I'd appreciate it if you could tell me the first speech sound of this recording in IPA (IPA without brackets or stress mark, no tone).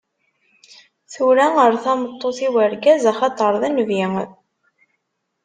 θ